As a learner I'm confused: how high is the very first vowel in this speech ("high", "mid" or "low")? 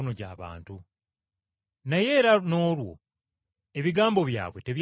mid